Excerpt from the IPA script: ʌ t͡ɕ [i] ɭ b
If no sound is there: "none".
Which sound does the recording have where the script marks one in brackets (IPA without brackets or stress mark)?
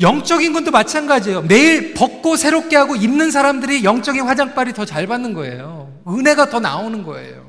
a